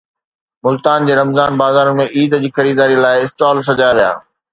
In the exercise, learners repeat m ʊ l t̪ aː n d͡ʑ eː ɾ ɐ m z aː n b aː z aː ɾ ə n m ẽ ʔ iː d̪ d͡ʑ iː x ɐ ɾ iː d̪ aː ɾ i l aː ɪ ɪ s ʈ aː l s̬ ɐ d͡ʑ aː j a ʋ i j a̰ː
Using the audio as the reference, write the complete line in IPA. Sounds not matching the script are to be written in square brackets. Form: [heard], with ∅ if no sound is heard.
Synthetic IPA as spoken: m ʊ l t̪ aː n d͡ʑ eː ɾ ɐ m z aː n b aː z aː ɾ ə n m ẽ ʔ iː d̪ d͡ʑ iː x ɐ ɾ iː d̪ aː ɾ i l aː ɪ ɪ s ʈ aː l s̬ ɐ d͡ʑ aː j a ʋ i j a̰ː